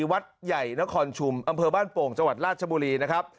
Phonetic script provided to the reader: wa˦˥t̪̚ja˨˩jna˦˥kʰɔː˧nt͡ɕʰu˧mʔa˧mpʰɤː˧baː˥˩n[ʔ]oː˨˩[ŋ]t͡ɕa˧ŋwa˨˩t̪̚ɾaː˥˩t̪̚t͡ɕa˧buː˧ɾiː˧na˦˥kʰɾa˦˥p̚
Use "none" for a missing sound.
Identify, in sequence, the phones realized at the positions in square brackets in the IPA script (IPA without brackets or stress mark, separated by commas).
p, ŋ